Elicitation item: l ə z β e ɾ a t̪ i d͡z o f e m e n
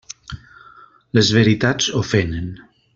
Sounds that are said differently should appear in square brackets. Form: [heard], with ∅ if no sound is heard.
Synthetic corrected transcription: l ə z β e ɾ [i] t̪ [a] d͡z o f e [n] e n